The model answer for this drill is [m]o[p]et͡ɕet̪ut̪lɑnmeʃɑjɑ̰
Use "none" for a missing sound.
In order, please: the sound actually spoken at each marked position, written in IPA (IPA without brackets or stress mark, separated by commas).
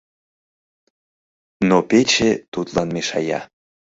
n, p